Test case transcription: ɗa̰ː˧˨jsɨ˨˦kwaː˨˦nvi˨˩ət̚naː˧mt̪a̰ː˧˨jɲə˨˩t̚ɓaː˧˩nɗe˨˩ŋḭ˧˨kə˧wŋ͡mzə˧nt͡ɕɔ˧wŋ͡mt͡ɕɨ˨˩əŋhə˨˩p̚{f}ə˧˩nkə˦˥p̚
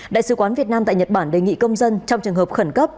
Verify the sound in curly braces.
incorrect: x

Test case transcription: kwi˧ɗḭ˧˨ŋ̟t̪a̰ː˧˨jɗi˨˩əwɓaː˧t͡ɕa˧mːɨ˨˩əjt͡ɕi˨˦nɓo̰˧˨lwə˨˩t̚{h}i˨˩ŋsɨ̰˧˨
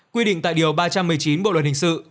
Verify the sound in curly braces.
correct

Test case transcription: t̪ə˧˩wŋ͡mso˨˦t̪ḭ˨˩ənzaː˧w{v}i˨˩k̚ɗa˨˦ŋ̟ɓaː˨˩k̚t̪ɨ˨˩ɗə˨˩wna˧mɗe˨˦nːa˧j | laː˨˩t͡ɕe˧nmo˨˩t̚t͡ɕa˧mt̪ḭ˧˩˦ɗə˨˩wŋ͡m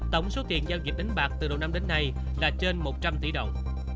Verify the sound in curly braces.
incorrect: z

